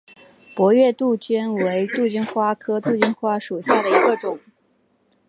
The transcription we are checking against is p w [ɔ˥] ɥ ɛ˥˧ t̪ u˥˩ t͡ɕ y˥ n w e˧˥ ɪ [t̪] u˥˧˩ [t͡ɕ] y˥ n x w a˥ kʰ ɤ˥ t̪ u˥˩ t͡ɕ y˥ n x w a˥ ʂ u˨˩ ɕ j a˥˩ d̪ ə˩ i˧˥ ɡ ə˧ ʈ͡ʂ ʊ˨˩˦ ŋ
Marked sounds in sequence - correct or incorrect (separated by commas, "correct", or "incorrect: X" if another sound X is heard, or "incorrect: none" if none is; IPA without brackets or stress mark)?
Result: incorrect: ɔ˧˥, correct, correct